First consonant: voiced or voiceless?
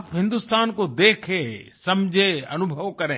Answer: voiceless